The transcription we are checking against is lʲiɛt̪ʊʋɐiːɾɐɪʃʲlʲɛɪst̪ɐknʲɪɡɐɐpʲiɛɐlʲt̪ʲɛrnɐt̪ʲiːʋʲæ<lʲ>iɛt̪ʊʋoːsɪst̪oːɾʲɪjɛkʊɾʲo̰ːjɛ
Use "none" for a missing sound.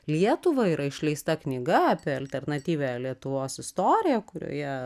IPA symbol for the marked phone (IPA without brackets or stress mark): lʲ